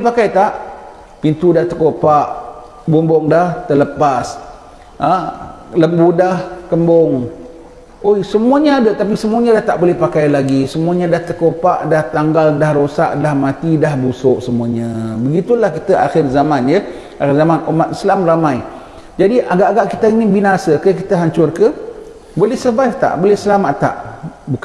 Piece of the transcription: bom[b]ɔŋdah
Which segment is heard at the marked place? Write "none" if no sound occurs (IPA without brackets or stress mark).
b